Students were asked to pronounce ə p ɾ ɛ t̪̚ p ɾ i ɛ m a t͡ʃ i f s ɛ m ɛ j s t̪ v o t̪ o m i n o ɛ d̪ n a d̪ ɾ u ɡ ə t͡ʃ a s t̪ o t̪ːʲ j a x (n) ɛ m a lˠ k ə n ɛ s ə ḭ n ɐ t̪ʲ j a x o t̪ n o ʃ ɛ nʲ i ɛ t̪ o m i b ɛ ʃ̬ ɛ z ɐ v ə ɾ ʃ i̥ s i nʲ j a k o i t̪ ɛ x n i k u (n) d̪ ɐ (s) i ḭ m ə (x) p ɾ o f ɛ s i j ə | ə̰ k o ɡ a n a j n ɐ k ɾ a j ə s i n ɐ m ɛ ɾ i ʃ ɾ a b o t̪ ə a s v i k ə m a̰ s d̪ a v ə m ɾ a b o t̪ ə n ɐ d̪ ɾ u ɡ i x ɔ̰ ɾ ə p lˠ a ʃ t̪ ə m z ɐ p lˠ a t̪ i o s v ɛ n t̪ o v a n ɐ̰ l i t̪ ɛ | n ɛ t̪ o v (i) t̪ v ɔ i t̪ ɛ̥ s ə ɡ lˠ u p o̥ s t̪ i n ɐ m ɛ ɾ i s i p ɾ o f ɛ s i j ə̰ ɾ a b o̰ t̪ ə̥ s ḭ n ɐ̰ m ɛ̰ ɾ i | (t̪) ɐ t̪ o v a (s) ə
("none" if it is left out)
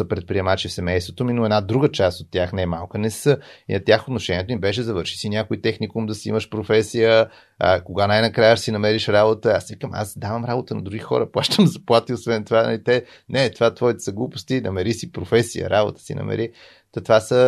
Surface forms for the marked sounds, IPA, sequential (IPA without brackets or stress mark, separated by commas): n, m, s, ʃ, a, t̪, s